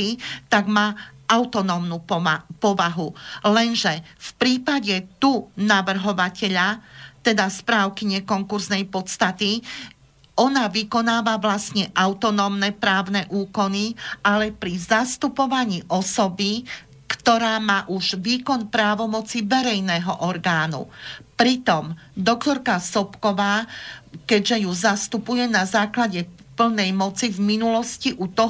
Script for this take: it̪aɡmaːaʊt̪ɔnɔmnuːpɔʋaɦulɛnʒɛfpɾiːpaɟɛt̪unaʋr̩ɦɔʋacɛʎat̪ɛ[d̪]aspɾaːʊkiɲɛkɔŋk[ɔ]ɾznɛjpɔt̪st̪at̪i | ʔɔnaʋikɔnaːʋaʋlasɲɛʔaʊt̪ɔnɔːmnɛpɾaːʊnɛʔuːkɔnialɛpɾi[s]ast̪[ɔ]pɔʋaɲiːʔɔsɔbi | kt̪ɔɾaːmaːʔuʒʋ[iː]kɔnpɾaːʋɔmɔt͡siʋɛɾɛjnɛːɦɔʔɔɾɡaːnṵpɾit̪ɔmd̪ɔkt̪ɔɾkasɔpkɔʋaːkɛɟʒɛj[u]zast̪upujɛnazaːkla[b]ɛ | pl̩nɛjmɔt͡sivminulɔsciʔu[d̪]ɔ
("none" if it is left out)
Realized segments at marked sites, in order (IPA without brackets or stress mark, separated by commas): d̪, u, z, u, iː, u, ɟ, t̪